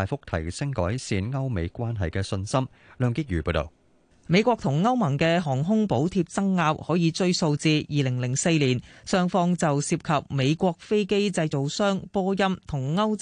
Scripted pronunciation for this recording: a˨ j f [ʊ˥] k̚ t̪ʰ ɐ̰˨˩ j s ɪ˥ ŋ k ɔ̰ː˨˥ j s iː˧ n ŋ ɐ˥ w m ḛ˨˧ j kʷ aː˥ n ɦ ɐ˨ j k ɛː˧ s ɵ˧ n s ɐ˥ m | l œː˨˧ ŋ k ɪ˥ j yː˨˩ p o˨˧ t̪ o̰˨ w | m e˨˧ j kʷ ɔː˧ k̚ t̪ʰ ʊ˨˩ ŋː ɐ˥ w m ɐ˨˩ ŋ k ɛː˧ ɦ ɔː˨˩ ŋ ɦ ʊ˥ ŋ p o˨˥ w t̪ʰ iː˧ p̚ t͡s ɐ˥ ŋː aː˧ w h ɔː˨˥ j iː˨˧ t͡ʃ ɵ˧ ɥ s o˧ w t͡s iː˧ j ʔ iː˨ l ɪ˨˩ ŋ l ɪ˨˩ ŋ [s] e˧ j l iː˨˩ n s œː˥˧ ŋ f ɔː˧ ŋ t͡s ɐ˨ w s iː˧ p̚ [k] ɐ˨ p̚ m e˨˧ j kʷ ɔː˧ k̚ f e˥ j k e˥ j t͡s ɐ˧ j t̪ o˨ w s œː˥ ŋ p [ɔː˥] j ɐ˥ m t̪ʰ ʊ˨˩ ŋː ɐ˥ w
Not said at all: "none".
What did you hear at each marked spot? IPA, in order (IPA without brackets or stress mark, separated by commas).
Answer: ʊ˥, s, kʰ, ɔː˥